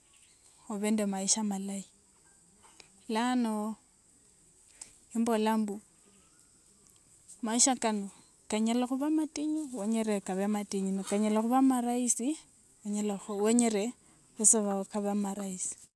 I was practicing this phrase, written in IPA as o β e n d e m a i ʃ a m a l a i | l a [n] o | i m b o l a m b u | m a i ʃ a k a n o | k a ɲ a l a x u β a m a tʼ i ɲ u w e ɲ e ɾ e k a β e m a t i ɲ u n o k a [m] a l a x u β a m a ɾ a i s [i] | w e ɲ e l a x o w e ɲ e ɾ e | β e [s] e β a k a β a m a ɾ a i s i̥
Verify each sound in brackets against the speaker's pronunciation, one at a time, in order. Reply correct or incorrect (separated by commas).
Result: correct, incorrect, correct, correct